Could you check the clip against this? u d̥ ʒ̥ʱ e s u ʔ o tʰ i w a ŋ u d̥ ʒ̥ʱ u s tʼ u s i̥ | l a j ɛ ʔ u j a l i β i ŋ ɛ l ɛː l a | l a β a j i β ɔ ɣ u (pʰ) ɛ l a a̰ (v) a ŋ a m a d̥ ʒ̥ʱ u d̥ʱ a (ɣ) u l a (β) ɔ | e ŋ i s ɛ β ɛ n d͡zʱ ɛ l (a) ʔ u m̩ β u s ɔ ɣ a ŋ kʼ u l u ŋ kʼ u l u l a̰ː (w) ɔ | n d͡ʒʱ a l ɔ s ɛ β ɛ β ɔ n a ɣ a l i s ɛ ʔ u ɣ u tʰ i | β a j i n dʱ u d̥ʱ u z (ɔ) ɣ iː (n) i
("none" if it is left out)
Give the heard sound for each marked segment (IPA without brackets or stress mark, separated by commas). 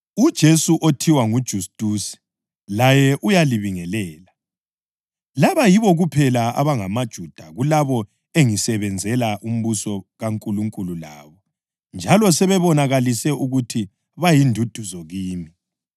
pʰ, β, ɣ, β, a, β, ɔ, m